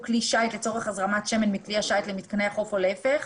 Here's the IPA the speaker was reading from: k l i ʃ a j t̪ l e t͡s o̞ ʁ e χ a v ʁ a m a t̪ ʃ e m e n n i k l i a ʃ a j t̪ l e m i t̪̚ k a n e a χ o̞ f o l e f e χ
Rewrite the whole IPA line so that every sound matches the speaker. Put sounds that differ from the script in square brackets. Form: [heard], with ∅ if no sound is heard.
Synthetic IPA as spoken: k l i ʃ a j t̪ l e t͡s o̞ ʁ e χ a [z] ʁ a m a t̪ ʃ e m e n [m] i k l i a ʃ a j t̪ l e m i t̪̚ k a n e a χ o̞ f o l e f e χ